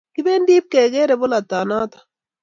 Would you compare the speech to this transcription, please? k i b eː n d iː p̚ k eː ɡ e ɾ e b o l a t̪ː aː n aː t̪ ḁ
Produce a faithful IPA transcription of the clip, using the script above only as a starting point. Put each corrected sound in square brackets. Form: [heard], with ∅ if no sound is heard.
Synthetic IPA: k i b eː n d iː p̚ k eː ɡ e ɾ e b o l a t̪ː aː n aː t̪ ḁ

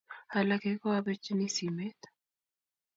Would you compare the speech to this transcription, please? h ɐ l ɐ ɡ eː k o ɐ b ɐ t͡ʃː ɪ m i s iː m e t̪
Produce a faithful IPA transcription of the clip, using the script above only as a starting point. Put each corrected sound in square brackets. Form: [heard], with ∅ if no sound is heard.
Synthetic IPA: h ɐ l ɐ [k] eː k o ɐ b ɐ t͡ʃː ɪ [n] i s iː m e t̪

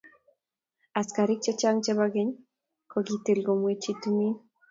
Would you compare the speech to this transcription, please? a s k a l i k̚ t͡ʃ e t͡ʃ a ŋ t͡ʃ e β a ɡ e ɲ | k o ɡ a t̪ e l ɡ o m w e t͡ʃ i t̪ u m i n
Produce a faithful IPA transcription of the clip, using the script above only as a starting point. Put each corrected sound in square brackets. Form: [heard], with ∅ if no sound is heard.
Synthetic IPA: a s k a [ɾ] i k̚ t͡ʃ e t͡ʃ a ŋ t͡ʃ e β a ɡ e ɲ | k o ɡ [i] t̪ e l ɡ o m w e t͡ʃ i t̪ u m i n

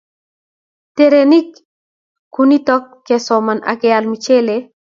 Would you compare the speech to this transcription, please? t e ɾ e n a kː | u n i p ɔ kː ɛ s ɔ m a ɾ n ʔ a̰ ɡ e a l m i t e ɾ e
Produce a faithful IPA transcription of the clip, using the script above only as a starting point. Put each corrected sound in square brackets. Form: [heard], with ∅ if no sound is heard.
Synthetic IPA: t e ɾ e n [i] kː | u n i [t] ɔ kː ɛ s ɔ m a [∅] n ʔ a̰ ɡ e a l m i [t͡ʃ] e [l] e

